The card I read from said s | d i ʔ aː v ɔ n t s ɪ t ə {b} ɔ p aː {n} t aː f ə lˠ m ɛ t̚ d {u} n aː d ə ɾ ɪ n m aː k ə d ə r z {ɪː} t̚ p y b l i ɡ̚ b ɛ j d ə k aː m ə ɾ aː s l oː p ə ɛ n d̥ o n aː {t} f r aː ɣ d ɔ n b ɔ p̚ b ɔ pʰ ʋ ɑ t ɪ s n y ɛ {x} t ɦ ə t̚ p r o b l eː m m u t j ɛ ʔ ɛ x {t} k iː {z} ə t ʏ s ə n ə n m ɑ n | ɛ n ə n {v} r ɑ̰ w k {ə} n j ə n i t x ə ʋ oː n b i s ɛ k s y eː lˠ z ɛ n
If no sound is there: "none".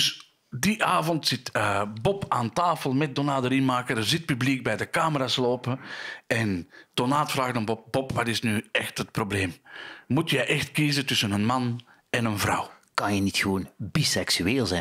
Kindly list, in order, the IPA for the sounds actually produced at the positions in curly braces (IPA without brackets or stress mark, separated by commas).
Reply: b, n, o, ɪ, t, x, t, z, v, ɑ